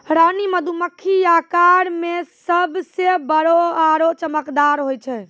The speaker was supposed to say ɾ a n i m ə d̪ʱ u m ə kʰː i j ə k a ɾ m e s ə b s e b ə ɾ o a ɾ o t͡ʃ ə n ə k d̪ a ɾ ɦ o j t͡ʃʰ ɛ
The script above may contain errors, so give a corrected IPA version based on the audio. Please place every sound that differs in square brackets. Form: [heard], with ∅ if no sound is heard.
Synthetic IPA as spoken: ɾ a n i m ə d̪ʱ u m ə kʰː i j [a] k a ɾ m e s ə b s e b ə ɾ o a ɾ o t͡ʃ ə [m] ə k d̪ a ɾ ɦ o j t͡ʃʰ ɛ